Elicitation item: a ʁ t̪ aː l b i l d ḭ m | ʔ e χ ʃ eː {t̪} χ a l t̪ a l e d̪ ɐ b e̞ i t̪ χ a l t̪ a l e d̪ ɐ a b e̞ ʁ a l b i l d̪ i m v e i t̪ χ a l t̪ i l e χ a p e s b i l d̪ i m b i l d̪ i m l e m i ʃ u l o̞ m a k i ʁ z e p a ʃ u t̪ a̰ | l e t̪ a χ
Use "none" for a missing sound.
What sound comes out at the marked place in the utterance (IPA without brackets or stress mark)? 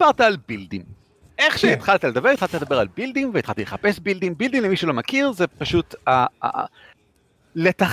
t̪